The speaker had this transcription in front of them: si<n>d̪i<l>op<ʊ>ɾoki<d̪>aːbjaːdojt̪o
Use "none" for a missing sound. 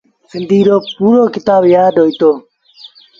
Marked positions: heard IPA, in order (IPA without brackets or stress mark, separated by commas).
n, ɾ, u, t̪